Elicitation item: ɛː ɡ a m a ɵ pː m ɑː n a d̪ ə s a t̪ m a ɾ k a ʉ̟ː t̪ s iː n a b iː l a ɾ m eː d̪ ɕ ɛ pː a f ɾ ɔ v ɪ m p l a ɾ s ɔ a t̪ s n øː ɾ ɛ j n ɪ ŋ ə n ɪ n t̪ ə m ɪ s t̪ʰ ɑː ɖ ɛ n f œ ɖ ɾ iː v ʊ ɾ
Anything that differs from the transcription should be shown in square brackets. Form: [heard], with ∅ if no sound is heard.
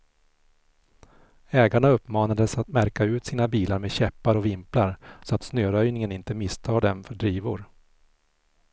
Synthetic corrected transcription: ɛː ɡ a [ɳ] a ɵ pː m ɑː n a d̪ ə s a t̪ m [æ] ɾ k a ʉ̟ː t̪ s iː n a b iː l a ɾ m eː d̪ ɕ ɛ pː a [∅] ɾ ɔ v ɪ m p l a ɾ s ɔ a t̪ s n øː ɾ [œ] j n ɪ ŋ ə n ɪ n t̪ ə m ɪ s t̪ʰ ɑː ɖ ɛ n f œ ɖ ɾ iː v ʊ ɾ